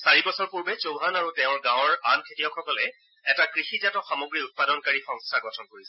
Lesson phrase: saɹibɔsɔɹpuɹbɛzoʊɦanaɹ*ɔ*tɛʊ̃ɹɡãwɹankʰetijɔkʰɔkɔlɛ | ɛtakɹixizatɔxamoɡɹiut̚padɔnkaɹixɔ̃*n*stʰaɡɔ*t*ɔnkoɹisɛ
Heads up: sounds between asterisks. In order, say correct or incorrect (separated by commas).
incorrect, incorrect, incorrect